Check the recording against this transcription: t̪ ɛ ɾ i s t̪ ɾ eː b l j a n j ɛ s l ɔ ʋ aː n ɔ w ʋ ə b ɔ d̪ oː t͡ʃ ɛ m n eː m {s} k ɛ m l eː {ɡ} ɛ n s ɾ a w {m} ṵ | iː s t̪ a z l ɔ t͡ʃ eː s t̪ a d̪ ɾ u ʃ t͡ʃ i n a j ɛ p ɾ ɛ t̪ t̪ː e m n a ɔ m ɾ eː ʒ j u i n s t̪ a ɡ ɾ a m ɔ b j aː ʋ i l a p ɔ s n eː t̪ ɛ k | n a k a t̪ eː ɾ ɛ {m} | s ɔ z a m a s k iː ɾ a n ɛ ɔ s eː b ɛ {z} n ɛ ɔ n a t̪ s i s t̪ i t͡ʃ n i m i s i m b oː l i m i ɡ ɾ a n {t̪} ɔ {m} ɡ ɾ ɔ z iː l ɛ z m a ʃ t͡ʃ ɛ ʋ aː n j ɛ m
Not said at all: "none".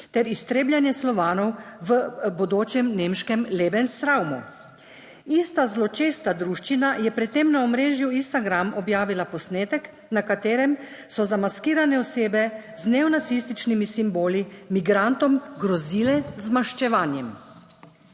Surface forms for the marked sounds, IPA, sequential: ʃ, b, m, m, z, t̪, m

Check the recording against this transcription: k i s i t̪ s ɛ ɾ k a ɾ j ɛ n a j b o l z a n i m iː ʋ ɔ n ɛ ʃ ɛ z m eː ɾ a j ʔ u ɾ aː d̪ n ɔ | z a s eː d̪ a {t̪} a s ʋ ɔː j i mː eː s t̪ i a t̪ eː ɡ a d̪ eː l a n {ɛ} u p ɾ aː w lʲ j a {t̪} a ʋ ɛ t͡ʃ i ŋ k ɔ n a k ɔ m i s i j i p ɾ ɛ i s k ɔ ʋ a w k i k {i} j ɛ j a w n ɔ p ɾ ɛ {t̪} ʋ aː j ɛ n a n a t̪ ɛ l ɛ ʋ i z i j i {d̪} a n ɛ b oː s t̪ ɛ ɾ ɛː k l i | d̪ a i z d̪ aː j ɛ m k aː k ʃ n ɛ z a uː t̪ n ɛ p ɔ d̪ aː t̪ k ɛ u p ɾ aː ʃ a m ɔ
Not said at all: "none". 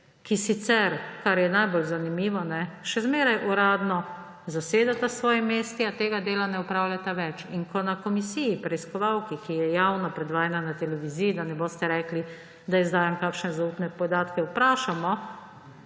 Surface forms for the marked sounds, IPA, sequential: t̪, ɛ, t̪, i, d̪, d̪

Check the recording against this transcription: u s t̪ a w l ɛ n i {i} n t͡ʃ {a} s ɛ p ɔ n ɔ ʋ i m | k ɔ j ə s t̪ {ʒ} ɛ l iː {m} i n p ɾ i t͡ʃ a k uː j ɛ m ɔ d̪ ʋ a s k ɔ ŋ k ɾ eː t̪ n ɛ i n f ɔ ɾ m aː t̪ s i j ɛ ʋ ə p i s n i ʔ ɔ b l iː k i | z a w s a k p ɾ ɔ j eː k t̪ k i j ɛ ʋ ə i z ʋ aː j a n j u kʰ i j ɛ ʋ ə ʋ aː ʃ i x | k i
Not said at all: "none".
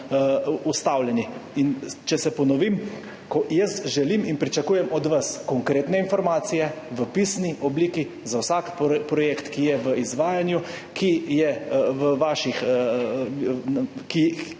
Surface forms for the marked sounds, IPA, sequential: i, ɛ, ʒ, m

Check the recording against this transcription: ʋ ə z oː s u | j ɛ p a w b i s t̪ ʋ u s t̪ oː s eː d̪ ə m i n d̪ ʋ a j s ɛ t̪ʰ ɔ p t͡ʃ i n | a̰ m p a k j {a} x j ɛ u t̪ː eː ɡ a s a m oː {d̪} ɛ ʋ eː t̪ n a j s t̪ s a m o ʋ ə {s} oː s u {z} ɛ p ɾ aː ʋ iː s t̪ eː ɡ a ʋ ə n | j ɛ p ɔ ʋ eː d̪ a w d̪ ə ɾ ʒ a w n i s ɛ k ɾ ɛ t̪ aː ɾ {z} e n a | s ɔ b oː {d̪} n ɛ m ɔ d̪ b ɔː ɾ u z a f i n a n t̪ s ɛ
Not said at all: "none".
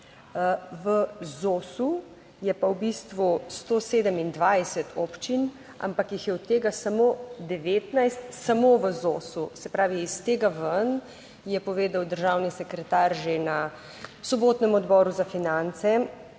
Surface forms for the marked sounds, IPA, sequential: i, d̪, z, s, ʒ, t̪

